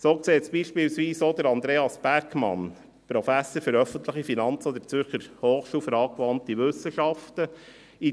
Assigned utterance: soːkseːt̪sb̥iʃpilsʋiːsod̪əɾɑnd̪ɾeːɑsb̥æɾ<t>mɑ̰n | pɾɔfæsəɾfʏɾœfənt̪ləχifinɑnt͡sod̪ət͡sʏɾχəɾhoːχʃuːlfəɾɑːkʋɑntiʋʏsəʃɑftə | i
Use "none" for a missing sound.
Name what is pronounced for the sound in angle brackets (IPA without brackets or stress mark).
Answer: k